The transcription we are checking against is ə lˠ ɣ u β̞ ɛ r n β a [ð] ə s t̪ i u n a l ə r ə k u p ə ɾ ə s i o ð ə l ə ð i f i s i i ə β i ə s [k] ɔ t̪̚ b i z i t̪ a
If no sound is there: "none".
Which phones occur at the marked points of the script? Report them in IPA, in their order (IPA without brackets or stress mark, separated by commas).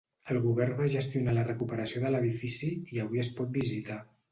ʒ, p